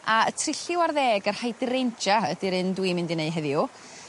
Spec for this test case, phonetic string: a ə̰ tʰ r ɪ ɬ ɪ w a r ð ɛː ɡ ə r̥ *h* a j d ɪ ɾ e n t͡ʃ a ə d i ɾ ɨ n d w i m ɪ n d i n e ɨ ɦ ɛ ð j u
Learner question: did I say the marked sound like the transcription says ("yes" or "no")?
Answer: yes